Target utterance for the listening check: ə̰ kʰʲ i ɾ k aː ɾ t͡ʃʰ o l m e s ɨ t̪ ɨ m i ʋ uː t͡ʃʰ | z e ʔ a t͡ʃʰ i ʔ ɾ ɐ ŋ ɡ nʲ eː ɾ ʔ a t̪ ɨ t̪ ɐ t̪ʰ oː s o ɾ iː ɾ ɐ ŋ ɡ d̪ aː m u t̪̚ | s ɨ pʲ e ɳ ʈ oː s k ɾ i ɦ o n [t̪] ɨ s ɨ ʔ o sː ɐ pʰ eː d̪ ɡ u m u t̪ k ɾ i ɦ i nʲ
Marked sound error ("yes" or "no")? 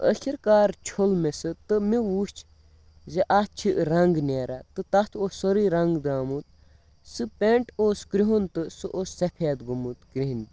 no